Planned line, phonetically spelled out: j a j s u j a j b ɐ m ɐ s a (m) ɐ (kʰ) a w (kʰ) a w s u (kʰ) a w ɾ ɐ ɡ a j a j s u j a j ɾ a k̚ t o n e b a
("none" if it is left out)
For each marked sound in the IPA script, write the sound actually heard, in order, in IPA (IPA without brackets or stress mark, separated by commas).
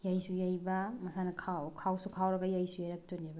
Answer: n, kʰ, kʰ, kʰ